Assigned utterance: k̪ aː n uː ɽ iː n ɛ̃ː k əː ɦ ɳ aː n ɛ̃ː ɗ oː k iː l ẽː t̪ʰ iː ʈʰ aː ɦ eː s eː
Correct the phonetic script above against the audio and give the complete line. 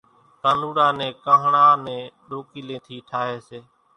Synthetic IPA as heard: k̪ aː n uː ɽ aː n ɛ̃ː k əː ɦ ɳ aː n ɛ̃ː ɗ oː k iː l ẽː t̪ʰ iː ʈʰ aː ɦ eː s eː